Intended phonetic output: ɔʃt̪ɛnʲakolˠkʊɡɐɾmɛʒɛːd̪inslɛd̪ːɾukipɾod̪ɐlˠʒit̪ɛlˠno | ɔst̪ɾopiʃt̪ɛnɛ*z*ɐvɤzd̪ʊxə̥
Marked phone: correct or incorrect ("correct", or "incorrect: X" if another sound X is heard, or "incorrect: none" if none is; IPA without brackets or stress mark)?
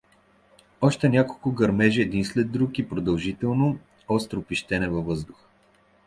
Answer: incorrect: v